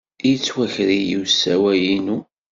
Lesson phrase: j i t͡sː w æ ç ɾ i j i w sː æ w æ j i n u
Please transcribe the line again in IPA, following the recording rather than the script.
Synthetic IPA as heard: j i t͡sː w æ ç ɾ i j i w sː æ w æ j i n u